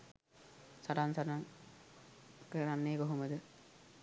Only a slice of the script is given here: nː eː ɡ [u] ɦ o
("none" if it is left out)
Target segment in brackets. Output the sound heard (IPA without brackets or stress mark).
o